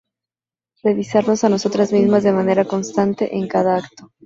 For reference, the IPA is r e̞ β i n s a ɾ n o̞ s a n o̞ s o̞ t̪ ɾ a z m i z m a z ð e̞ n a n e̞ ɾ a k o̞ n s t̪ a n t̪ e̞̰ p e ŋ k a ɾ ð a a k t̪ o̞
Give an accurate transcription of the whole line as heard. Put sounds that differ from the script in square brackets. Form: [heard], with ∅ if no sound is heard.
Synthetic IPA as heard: r e̞ β i [∅] s a ɾ n o̞ s a n o̞ s o̞ t̪ ɾ a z m i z m a z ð e̞ [m] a n e̞ ɾ a k o̞ n s t̪ a n t̪ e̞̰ [ʔ] e ŋ k a [∅] ð a a k t̪ o̞